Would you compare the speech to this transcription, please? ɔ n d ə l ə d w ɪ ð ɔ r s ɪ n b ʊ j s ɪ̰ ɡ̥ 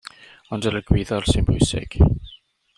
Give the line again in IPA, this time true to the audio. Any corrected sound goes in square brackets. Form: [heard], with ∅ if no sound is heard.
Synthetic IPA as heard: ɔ n d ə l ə [ɡ] w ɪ ð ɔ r s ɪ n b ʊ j s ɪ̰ ɡ̥